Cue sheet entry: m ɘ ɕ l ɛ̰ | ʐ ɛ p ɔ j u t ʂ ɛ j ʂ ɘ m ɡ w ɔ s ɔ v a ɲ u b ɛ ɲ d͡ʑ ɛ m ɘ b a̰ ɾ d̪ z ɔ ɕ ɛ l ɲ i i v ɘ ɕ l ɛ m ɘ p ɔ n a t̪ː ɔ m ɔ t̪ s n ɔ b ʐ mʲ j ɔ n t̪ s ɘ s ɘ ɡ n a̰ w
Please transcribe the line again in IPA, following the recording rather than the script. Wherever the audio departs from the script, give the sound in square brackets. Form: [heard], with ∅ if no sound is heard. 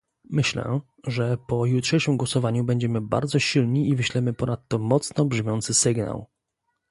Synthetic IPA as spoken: m ɘ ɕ l ɛ̰ | ʐ ɛ p ɔ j u t ʂ ɛ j ʂ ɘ m ɡ w ɔ s ɔ v a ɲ u b ɛ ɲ d͡ʑ ɛ m ɘ b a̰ ɾ d̪ z ɔ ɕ [i] l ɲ i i v ɘ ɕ l ɛ m ɘ p ɔ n a t̪ː ɔ m ɔ t̪ s n ɔ b ʐ mʲ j ɔ n t̪ s ɘ s ɘ ɡ n a̰ w